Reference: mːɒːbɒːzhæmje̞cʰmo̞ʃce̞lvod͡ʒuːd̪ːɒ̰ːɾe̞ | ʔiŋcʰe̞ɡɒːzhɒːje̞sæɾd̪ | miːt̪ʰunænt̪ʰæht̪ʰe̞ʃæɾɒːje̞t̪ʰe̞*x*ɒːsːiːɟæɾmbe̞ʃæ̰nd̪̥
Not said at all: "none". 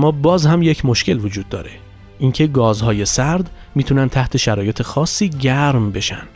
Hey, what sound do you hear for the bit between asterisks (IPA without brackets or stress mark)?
x